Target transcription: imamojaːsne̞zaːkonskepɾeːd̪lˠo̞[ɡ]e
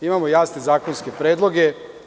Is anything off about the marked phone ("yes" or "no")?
no